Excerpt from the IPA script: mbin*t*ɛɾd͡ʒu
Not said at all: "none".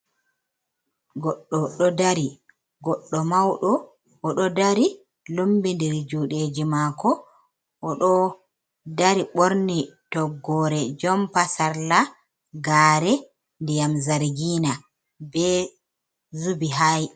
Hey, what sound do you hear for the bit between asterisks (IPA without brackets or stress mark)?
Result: d